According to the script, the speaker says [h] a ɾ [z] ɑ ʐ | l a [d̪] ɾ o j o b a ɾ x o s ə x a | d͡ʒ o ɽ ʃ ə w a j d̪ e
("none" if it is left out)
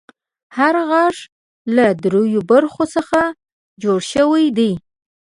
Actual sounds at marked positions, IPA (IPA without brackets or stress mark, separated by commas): h, ɣ, d̪